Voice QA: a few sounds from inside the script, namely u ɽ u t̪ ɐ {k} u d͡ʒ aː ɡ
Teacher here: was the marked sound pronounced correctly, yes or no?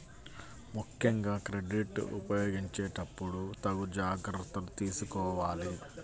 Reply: no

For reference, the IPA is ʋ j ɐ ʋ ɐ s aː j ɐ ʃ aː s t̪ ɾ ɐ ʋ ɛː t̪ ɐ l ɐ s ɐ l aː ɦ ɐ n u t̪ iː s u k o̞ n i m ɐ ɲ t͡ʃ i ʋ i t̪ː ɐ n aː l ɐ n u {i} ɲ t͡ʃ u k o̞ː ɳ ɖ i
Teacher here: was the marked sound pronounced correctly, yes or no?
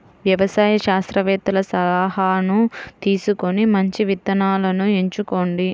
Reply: no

